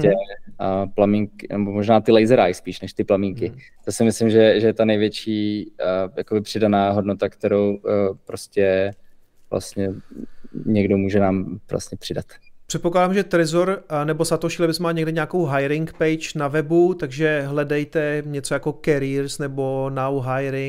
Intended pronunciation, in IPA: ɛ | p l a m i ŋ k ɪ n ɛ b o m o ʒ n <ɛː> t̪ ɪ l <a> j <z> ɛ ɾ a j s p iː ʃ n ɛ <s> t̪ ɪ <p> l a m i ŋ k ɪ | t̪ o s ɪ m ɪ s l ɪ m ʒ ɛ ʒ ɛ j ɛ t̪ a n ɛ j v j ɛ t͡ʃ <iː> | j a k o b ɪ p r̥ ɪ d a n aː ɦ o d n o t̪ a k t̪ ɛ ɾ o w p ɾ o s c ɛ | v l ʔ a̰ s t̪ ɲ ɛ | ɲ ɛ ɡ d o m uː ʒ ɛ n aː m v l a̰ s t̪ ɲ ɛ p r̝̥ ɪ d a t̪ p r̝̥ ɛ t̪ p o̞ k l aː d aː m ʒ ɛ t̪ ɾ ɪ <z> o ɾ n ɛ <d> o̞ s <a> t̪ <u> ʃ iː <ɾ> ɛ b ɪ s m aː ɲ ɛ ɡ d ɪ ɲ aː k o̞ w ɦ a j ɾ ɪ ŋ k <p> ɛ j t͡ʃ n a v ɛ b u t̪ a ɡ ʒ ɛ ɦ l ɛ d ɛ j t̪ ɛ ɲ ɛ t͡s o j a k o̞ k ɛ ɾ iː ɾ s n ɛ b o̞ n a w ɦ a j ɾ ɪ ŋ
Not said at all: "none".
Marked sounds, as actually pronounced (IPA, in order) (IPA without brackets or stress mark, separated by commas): aː, ɛ, z, ʃ, p, iː, z, b, a, o, l, p